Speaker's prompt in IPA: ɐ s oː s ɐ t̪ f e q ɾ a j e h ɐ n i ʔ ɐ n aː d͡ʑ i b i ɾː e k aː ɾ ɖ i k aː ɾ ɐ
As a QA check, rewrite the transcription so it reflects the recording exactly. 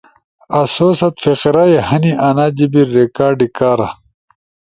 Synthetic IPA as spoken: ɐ s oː s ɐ t̪ f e q ɾ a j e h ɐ n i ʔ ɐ n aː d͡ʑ i b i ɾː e k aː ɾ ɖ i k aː ɾ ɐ